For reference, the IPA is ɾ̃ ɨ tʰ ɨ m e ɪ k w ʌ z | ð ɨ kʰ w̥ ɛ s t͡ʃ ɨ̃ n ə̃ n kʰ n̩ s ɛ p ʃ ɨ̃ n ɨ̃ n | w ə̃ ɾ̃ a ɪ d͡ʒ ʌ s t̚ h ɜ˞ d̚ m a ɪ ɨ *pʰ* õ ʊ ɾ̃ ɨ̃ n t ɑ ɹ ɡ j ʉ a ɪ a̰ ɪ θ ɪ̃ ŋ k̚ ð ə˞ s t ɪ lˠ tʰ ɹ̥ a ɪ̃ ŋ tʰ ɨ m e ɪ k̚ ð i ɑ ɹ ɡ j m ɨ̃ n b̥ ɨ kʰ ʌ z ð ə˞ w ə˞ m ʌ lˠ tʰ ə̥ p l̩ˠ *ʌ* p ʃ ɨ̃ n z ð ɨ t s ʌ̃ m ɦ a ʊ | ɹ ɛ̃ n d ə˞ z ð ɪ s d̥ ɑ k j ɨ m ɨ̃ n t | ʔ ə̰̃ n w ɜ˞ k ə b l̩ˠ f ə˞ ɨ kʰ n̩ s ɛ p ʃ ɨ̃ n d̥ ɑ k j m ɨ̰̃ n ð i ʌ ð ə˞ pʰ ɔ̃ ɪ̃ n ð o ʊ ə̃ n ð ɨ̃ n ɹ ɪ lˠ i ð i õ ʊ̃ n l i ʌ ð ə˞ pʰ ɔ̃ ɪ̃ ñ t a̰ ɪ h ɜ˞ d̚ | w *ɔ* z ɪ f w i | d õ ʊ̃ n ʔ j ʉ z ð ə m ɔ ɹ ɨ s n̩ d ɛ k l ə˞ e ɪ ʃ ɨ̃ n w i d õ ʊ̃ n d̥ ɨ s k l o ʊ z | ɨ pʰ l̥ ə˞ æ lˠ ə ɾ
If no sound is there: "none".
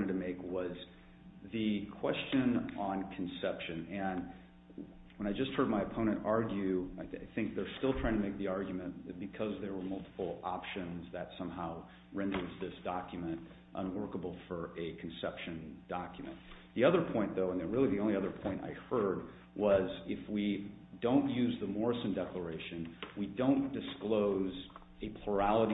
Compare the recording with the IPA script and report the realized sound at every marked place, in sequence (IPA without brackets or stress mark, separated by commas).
pʰ, ɑ, ʌ